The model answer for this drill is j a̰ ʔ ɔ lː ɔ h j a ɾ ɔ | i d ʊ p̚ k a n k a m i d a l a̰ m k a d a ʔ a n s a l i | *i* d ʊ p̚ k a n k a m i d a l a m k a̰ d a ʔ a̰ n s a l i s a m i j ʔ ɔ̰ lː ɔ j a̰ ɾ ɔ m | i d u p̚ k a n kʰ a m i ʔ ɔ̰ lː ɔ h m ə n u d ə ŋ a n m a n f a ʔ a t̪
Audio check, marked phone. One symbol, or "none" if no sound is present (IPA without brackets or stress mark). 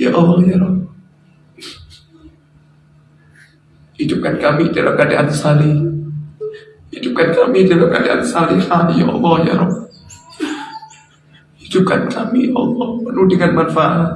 i